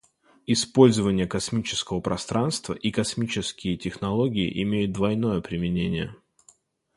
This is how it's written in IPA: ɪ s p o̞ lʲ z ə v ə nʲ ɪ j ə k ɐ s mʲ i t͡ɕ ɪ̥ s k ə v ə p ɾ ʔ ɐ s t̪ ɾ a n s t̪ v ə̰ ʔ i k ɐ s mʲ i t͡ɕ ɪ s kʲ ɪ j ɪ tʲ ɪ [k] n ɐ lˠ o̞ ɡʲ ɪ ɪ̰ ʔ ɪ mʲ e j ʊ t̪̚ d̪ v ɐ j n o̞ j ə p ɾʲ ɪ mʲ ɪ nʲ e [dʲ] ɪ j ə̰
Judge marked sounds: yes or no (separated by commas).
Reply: no, no